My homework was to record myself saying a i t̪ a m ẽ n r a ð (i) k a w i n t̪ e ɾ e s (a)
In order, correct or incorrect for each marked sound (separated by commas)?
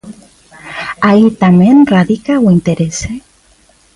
correct, incorrect